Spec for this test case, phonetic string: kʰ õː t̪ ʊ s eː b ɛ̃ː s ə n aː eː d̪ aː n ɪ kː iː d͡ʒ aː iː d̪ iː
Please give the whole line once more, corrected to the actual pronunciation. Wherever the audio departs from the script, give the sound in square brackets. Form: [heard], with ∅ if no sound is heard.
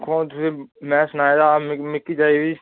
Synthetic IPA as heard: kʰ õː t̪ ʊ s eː [m] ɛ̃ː s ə n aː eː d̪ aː [m] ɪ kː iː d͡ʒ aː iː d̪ iː

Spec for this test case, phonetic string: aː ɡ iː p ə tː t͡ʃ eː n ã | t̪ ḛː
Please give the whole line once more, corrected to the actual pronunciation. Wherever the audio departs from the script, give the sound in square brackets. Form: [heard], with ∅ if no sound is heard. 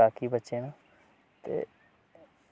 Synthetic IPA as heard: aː [k] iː [b] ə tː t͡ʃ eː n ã | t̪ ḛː

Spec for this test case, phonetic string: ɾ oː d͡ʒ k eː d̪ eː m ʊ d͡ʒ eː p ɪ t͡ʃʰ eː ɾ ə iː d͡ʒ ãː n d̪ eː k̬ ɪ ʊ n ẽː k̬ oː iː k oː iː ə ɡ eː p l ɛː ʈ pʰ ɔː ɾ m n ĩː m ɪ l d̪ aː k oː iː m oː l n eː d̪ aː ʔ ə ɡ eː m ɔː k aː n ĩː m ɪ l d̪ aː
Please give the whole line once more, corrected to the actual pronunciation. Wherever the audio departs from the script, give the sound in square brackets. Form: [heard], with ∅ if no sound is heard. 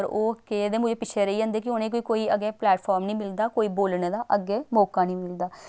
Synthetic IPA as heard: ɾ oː [∅] k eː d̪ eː m ʊ d͡ʒ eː p ɪ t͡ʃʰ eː ɾ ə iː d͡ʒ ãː n d̪ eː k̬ ɪ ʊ n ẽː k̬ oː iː k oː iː ə ɡ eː p l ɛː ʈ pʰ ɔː ɾ m n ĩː m ɪ l d̪ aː k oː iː [b] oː l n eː d̪ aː ʔ ə ɡ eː m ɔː k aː n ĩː m ɪ l d̪ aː

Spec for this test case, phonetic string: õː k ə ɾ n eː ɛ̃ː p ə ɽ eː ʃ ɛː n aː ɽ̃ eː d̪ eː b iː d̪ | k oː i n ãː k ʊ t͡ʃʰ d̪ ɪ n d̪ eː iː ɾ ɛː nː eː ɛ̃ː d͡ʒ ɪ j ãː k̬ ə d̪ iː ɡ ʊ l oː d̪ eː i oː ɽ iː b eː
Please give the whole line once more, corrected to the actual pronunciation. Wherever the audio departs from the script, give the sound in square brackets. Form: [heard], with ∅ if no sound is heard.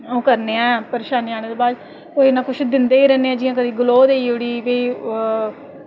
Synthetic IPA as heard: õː k ə ɾ n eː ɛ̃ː p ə [ɾ] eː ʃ [aː] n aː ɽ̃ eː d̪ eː b [aː] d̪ | k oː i n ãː k ʊ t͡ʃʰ d̪ ɪ n d̪ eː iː ɾ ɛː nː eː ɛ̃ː d͡ʒ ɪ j ãː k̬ ə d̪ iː ɡ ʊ l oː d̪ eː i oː ɽ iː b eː

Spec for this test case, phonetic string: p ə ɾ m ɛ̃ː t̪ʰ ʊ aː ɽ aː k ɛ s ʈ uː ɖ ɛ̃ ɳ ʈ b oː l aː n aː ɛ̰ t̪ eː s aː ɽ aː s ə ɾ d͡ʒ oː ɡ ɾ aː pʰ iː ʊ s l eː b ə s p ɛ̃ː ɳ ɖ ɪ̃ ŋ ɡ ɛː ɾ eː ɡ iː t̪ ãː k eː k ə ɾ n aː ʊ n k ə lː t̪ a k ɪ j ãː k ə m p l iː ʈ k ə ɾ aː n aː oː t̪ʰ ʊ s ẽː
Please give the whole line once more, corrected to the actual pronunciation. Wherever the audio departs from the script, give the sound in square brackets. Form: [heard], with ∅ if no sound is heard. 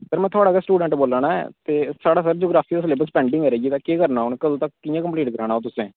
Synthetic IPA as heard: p ə ɾ m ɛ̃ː t̪ʰ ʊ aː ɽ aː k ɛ s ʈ uː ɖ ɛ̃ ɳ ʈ b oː l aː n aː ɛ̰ t̪ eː s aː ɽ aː s ə ɾ d͡ʒ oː ɡ ɾ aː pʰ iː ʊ s l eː b ə s p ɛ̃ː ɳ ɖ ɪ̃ ŋ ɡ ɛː ɾ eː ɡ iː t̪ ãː k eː k ə ɾ n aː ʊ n k ə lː t̪ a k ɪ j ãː k ə m p l iː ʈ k ə ɾ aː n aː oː [t̪] ʊ s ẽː

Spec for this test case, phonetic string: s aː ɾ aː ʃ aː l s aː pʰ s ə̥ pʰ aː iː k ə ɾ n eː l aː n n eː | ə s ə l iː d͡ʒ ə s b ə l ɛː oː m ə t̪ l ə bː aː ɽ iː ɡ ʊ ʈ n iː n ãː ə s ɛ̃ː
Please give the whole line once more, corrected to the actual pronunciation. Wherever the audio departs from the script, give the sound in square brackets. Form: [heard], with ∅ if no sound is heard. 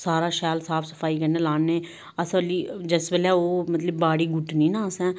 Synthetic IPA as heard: s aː ɾ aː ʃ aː l s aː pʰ s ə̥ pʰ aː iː k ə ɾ n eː l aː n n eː | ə s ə l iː d͡ʒ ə s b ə l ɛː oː m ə t̪ l ə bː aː ɽ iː ɡ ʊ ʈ n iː n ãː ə s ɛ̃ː

